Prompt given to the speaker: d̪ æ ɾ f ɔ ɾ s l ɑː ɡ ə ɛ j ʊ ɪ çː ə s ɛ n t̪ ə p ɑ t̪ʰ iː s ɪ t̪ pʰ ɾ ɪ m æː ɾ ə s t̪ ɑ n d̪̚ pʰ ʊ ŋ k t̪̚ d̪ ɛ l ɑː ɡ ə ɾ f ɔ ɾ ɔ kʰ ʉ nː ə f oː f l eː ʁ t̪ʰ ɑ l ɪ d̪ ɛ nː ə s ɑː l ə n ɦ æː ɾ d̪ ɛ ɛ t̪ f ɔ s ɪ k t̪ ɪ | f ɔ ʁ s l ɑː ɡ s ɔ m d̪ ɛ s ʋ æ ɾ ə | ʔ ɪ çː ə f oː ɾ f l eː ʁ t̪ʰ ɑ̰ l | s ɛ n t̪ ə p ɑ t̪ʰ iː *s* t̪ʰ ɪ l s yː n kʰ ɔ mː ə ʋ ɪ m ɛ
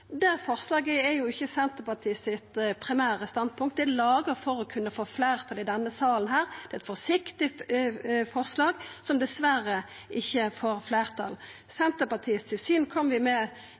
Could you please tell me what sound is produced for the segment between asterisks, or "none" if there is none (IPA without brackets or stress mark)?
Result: s